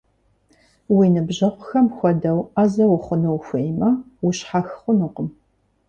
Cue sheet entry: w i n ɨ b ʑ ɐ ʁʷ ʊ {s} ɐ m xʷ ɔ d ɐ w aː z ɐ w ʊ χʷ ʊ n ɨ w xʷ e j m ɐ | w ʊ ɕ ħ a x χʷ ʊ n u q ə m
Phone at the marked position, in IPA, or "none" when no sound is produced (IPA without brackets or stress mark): x